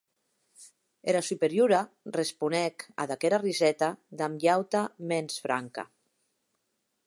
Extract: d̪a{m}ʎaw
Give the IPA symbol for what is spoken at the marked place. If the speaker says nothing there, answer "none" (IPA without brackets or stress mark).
m